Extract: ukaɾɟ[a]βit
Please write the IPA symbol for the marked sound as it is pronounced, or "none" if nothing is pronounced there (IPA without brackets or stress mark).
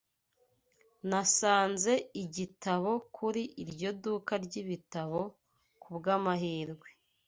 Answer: i